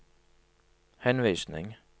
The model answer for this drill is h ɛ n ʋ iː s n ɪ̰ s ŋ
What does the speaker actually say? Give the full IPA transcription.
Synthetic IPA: h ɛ n ʋ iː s n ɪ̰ ŋ